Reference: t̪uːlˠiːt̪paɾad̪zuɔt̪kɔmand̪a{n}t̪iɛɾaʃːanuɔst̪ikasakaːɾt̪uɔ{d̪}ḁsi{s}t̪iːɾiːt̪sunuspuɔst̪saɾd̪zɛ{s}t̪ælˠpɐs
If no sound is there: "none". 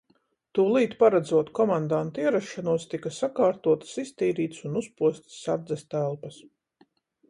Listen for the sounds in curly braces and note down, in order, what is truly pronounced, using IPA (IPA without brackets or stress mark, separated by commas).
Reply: n, t̪, s, s